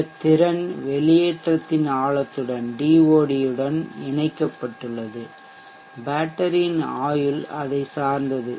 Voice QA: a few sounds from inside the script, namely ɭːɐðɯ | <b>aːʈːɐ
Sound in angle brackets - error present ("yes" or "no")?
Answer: no